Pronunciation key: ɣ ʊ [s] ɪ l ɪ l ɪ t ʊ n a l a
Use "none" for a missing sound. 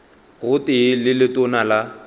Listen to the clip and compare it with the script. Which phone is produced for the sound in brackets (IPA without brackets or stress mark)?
t